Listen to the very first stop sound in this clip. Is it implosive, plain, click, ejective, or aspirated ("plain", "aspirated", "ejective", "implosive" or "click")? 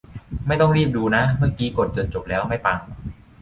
plain